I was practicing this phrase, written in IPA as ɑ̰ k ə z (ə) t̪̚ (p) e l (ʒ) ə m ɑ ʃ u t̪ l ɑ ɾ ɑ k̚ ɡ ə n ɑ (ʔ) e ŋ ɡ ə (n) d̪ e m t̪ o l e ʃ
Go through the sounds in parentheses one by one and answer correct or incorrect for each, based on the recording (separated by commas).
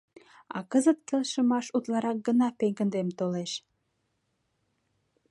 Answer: correct, incorrect, incorrect, incorrect, correct